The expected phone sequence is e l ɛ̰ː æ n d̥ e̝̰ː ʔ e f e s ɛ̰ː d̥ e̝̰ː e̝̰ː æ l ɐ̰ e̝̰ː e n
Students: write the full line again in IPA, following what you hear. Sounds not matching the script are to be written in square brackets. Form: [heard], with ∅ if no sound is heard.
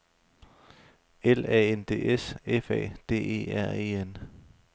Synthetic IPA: e l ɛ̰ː [e] n d̥ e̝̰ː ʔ e [s] e [f] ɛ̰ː d̥ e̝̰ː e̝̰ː æ [∅] ɐ̰ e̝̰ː e n

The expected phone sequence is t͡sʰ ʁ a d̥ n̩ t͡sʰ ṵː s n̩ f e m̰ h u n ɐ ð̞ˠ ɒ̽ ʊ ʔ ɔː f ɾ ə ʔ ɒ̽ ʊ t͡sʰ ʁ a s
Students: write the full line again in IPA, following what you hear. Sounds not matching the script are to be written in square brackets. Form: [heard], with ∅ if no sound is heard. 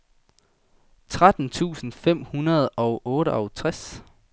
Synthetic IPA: t͡sʰ ʁ a d̥ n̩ t͡sʰ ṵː s n̩ f e m̰ h u n ɐ ð̞ˠ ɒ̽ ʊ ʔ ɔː [∅] ɾ ə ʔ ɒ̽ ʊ t͡sʰ ʁ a s

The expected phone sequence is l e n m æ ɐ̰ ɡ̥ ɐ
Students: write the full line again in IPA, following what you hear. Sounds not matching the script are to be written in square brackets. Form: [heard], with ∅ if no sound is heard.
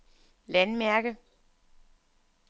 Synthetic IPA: l [æ] n m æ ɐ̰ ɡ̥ [ə]

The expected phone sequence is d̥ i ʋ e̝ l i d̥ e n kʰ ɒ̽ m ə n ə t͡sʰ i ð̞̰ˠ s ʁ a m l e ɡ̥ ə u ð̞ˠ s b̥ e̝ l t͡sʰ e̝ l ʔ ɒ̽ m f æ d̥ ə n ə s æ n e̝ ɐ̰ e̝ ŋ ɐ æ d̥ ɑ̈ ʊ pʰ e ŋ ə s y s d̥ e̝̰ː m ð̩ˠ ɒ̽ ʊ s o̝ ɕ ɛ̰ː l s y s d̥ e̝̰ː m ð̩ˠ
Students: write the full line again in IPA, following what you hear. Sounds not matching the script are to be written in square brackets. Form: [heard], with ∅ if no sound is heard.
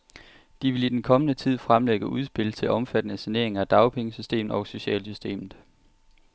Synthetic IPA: d̥ i ʋ e̝ l i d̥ e n kʰ ɒ̽ m ə n ə t͡sʰ i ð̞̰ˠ [f] ʁ a m l e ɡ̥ ə u ð̞ˠ s b̥ e̝ l t͡sʰ e̝ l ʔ ɒ̽ m f æ d̥ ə n ə s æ n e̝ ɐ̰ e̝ ŋ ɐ æ d̥ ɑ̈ ʊ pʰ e ŋ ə s y s d̥ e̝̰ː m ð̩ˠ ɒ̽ ʊ s o̝ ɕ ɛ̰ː l s y s d̥ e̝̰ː m ð̩ˠ

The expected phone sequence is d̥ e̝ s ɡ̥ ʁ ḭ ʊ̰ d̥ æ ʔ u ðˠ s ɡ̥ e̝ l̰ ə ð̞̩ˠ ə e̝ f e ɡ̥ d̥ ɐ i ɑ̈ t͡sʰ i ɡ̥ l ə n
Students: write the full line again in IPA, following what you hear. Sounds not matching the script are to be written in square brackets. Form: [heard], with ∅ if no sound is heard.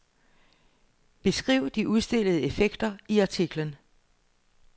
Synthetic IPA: [b̥] e̝ s ɡ̥ ʁ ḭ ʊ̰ d̥ [i] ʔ u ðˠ s [d̥] e̝ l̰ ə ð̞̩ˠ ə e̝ f e ɡ̥ d̥ ɐ i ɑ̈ t͡sʰ i ɡ̥ l ə n

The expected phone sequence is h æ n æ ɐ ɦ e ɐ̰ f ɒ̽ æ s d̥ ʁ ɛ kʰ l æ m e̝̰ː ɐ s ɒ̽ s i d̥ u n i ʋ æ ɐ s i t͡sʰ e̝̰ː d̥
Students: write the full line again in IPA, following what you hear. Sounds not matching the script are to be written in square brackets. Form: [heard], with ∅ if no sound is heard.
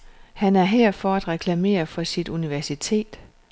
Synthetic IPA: h æ n æ ɐ ɦ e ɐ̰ f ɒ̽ æ [∅] d̥ ʁ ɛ kʰ l æ m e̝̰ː ɐ [f] ɒ̽ s i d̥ u n i ʋ æ ɐ s i t͡sʰ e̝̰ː d̥

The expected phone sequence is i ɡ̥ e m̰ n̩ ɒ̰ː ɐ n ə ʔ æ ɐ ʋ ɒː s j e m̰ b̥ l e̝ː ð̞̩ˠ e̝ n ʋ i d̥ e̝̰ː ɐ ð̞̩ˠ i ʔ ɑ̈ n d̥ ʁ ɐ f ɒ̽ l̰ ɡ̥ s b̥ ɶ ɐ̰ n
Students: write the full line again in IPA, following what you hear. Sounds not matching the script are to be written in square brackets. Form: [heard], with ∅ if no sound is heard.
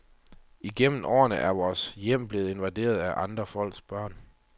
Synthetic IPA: i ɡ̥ e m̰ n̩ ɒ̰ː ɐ n ə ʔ æ ɐ ʋ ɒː s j e m̰ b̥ l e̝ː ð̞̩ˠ e̝ n ʋ [æ] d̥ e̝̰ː ɐ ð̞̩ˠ [æ] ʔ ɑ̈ n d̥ ʁ ɐ f ɒ̽ l̰ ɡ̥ s b̥ ɶ ɐ̰ n

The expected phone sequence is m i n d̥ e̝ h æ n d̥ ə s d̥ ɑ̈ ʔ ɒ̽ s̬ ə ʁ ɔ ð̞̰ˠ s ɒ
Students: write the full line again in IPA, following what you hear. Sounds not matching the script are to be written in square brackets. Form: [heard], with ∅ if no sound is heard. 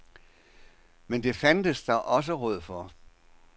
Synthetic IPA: m [e] n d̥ e̝ [f] æ n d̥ ə s d̥ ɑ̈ ʔ ɒ̽ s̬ ə ʁ ɔ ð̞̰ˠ [f] ɒ

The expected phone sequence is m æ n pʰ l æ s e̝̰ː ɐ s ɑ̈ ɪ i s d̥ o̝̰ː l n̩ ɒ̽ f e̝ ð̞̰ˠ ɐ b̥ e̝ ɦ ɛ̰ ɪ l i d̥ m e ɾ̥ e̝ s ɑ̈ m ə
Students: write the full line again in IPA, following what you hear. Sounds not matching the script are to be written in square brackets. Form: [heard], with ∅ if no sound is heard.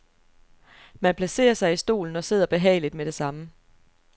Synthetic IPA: m æ n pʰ l æ s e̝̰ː ɐ s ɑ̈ ɪ i s d̥ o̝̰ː l n̩ ɒ̽ [s] e̝ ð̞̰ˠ ɐ b̥ e̝ ɦ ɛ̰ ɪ l i d̥ m e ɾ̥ e̝ s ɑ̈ m ə

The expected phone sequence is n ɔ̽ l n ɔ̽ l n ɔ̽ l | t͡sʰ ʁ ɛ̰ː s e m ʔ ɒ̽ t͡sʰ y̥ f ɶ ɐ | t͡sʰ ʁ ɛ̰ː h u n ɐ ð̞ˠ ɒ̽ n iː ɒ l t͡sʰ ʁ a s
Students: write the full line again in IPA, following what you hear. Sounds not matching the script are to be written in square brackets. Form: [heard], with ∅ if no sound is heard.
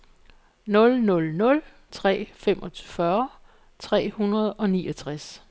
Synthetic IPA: n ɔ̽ l n ɔ̽ l n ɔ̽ l | t͡sʰ ʁ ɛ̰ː [f] e m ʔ ɒ̽ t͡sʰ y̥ f ɶ ɐ | t͡sʰ ʁ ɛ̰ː h u n ɐ ð̞ˠ ɒ̽ n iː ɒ [∅] t͡sʰ ʁ a s

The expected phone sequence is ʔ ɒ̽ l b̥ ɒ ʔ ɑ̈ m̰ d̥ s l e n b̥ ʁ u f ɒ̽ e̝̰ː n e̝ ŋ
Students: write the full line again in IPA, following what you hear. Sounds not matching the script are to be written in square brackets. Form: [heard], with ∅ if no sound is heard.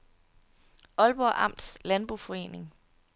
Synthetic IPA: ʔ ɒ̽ l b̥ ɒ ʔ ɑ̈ m̰ d̥ s l [æ] n b̥ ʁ u f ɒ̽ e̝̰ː n e̝ ŋ

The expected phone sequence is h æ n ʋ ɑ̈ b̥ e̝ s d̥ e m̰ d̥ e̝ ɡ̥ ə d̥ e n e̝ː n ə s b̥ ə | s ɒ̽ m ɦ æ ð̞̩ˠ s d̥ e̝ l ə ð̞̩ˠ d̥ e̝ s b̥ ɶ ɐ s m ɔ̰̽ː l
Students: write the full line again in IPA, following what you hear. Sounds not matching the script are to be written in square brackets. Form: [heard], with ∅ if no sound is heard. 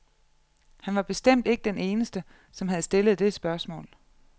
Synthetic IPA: h æ n ʋ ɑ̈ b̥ e̝ s d̥ e m̰ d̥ e̝ ɡ̥ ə d̥ e n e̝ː n ə s [d̥] ə | s ɒ̽ m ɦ æ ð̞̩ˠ s d̥ e̝ l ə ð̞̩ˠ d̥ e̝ s b̥ ɶ ɐ s m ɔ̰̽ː l

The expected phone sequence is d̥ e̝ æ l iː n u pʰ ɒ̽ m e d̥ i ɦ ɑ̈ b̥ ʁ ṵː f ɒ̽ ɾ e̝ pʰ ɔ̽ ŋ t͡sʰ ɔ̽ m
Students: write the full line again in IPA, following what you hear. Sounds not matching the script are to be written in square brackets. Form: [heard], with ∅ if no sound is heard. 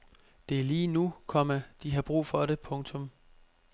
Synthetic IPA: d̥ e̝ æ l iː n u [kʰ] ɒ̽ m [æ] d̥ i ɦ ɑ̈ b̥ ʁ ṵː f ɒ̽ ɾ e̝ pʰ ɔ̽ ŋ t͡sʰ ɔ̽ m

